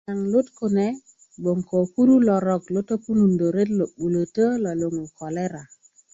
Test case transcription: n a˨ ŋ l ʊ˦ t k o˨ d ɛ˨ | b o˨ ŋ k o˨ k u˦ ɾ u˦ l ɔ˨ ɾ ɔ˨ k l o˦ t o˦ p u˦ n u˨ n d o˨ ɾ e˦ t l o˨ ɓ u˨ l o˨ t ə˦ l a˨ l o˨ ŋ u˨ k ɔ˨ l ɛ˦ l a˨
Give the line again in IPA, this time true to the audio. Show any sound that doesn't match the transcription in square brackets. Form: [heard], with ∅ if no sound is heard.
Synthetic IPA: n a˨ ŋ l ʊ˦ t k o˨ [n] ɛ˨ | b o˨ ŋ k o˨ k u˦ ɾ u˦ l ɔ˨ ɾ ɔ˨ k l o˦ t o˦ p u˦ n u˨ n d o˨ ɾ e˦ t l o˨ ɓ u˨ l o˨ t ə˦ l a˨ l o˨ ŋ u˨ k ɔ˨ l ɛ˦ [ɾ] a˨